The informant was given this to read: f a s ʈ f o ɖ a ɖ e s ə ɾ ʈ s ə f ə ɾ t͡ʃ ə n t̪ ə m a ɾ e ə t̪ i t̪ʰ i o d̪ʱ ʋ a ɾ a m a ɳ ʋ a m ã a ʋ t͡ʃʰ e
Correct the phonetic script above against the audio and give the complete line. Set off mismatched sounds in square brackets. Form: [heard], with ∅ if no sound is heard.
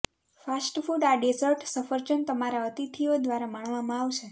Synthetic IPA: f a s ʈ f [u] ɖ a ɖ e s ə ɾ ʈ s ə f ə ɾ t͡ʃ ə n t̪ ə m a ɾ [a] ə t̪ i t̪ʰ i o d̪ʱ ʋ a ɾ a m a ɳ ʋ a m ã a ʋ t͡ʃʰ e